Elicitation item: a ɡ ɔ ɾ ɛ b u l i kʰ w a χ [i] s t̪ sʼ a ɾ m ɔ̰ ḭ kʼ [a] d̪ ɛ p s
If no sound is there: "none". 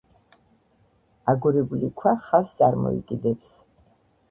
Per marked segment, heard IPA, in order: a, i

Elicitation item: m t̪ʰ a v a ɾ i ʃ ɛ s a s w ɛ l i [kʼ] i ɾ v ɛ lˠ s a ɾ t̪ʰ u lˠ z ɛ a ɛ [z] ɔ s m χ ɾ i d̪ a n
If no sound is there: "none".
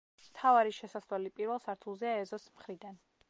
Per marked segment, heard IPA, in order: pʼ, z

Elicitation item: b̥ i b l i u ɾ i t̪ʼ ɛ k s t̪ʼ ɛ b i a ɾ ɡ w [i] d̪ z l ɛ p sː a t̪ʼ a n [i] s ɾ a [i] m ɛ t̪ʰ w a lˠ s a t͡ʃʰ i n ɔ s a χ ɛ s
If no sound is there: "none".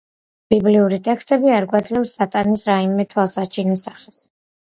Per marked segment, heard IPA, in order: a, i, i

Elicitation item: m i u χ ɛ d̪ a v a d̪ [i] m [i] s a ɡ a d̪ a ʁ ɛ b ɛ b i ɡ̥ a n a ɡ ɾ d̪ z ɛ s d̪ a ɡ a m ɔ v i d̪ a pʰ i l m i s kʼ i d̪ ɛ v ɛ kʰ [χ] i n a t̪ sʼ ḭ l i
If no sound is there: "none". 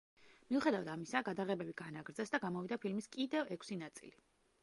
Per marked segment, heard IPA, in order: a, i, s

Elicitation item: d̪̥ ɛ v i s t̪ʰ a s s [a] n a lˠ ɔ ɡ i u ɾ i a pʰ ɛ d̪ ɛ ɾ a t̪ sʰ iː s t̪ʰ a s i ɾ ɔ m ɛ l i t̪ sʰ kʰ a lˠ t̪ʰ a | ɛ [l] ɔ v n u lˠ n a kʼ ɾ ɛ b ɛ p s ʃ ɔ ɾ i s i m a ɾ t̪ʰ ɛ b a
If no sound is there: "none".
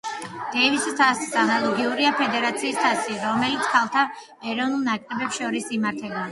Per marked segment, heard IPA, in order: a, ɾ

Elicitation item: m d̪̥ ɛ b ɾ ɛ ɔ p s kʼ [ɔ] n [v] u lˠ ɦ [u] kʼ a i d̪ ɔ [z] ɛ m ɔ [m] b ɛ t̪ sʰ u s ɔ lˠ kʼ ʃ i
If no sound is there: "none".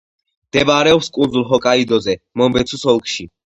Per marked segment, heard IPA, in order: u, z, ɔ, z, m

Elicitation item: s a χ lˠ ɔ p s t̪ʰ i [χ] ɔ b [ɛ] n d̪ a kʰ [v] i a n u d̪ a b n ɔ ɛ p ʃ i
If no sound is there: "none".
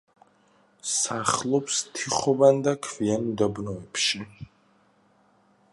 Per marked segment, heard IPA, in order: χ, a, v

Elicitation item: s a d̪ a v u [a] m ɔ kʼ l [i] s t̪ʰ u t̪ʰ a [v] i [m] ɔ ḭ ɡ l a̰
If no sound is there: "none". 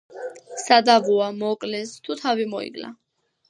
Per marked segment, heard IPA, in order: a, ɛ, v, m

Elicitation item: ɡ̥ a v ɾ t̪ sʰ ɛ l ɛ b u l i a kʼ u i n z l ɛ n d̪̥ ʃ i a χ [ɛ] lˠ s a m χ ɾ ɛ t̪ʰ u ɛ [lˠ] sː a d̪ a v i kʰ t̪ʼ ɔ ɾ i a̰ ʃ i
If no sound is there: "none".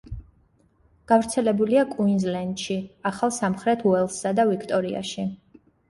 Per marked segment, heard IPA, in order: a, lˠ

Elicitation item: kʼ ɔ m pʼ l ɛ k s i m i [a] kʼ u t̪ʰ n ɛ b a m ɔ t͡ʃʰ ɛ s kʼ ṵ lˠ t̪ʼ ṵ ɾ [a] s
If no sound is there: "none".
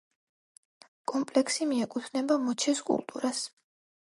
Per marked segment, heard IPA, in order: ɛ, a

